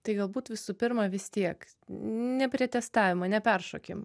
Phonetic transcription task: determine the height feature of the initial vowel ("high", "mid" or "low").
low